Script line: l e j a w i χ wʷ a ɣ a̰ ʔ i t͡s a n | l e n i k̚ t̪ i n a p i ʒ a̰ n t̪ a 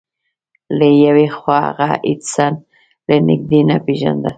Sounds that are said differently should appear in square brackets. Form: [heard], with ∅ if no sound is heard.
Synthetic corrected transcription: l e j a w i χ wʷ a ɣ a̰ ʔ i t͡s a n | l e n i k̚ [d̪] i n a p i ʒ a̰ n [d̪] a